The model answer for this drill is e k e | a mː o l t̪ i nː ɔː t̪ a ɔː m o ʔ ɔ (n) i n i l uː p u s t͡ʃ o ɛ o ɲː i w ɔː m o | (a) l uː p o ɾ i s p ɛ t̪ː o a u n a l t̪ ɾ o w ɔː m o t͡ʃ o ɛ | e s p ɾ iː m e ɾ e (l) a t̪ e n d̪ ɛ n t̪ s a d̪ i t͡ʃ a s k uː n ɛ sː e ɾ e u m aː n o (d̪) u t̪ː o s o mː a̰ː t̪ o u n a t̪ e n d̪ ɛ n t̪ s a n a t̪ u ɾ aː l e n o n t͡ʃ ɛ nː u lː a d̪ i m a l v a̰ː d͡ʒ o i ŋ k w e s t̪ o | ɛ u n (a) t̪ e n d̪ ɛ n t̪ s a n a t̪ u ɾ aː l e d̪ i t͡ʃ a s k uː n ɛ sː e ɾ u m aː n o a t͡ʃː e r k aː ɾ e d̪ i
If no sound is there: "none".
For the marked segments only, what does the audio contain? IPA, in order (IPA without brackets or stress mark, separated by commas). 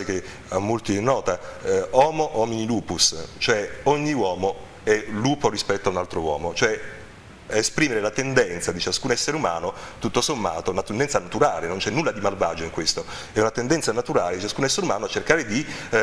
m, ɛ, l, t̪, a